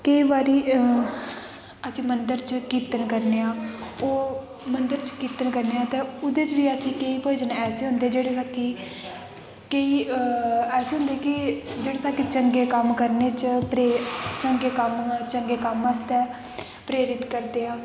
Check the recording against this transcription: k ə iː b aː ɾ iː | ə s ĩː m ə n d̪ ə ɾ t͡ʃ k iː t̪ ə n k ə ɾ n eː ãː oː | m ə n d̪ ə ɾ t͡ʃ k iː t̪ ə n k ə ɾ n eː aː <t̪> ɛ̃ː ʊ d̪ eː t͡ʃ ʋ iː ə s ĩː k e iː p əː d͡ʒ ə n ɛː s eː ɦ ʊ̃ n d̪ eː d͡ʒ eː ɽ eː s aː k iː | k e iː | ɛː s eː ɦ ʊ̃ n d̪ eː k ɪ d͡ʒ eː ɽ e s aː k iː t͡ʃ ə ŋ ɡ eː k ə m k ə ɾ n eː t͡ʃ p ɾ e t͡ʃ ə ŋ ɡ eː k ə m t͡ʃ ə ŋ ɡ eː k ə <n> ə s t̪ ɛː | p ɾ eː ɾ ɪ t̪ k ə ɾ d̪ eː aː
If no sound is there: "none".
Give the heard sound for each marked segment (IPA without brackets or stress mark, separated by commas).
t̪, m